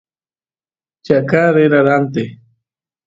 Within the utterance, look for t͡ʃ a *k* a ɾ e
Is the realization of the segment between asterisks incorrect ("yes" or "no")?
no